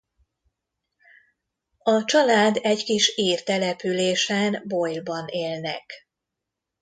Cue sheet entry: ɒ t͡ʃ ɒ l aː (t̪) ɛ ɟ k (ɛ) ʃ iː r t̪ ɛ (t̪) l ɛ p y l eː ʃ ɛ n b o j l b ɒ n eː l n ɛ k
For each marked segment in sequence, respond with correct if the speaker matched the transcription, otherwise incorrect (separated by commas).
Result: incorrect, incorrect, incorrect